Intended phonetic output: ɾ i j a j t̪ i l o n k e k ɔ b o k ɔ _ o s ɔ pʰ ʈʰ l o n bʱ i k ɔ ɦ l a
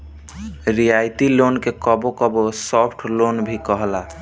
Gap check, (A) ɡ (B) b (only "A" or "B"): B